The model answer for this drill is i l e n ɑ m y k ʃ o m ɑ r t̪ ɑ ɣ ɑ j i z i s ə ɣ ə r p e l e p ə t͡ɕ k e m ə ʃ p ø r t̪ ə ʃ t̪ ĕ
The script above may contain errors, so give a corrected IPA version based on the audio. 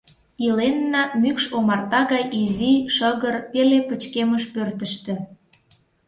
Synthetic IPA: i l e nː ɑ m y k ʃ o m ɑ r t̪ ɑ ɣ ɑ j i z i ʃ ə ɣ ə r p e l e p ə t͡ɕ k e m ə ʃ p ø r t̪ ə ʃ t̪ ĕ